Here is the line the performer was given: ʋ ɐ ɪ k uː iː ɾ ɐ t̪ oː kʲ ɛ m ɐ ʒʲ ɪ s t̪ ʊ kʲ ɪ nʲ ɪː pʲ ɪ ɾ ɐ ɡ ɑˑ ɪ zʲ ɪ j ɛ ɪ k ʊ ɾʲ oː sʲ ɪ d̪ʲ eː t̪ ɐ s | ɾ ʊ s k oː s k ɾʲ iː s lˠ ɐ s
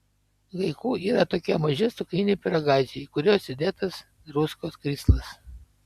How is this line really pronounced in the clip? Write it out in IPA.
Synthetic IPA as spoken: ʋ ɐ ɪ k uː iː ɾ ɐ t̪ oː kʲ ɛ m ɐ ʒʲ ɪ s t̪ ʊ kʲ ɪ nʲ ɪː pʲ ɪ ɾ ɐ ɡ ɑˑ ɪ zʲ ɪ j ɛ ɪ k ʊ ɾʲ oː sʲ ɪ d̪ʲ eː t̪ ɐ s | ɾ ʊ s k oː s k ɾʲ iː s lˠ ɐ s